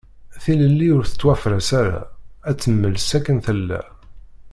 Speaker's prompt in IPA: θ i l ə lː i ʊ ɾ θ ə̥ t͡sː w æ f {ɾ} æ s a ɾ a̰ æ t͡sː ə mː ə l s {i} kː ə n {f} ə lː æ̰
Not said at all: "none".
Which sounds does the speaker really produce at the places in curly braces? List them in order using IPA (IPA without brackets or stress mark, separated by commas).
ɾ, æ, θ